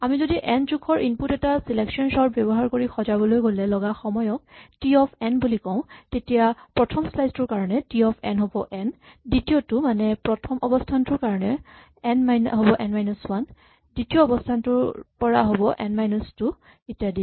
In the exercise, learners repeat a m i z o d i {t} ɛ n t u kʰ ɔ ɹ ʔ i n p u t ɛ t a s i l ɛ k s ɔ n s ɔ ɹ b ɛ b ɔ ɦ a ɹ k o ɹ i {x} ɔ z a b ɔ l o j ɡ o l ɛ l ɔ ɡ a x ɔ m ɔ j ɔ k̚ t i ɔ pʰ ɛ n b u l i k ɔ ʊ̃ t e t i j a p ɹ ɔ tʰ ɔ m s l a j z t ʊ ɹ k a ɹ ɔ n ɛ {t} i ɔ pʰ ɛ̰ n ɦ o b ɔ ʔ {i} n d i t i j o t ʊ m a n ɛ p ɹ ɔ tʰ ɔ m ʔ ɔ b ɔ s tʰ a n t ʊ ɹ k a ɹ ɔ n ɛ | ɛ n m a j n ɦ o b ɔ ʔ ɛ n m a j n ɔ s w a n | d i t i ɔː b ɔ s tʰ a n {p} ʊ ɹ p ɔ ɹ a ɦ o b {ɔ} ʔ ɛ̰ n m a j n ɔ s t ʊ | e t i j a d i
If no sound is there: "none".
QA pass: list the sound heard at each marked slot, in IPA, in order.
ʔ, x, t, ɛ, t, ɔ

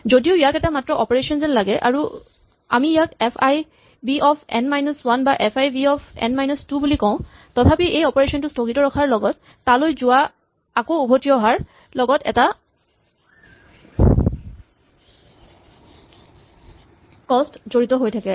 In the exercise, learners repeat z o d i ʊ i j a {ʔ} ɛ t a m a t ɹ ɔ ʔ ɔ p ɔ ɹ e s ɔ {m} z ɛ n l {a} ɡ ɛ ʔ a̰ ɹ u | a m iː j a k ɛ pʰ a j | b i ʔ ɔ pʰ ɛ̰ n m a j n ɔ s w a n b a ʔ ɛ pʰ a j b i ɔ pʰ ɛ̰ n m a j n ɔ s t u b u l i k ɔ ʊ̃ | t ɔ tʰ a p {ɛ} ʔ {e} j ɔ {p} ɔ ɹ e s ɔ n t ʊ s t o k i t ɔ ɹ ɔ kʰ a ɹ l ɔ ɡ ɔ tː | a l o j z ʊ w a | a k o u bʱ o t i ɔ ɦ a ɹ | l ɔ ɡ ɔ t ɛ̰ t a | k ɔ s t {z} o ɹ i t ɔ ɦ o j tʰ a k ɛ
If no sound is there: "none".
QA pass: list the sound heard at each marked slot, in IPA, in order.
k, n, a, i, e, p, z

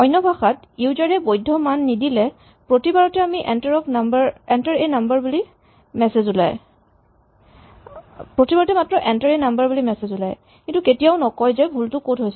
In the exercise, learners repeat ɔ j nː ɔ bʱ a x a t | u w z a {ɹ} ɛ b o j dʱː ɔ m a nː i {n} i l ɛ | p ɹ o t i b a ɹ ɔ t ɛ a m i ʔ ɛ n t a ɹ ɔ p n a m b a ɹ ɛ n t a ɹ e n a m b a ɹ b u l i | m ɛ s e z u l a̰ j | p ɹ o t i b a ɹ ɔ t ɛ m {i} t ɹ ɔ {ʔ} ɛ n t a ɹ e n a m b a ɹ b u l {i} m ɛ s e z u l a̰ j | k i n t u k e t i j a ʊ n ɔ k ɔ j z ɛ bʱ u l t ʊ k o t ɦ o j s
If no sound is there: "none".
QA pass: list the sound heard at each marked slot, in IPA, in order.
ɹ, d, a, ʔ, i

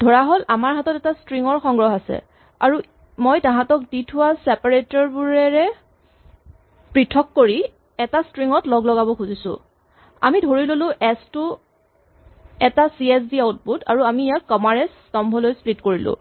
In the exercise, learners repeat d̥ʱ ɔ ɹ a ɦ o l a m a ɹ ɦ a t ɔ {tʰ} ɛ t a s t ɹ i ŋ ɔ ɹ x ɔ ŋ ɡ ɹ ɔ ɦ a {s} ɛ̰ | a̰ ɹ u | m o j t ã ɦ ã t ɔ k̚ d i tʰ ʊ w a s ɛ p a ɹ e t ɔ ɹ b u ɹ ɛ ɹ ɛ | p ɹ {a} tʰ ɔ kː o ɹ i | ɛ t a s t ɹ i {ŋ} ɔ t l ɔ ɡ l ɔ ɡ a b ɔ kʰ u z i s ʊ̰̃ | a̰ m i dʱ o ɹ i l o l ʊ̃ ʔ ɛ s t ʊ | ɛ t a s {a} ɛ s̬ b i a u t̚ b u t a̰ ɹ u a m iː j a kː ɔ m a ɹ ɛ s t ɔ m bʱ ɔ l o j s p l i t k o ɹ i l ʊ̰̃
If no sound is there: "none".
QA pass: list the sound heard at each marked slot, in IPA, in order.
t, s, i, ŋ, i

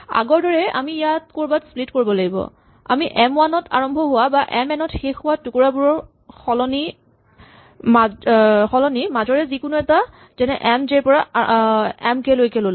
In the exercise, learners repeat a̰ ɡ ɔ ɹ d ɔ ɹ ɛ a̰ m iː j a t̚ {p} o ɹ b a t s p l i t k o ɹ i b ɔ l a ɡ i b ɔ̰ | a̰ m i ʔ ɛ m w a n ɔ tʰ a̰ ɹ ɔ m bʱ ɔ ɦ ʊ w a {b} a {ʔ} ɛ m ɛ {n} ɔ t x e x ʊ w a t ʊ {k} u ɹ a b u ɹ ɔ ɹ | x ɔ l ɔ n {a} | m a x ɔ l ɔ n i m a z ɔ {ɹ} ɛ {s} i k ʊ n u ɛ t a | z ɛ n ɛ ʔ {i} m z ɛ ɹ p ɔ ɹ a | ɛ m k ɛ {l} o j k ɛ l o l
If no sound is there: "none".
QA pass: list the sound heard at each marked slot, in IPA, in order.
k, b, ʔ, n, k, i, ɹ, z, ɛ, l

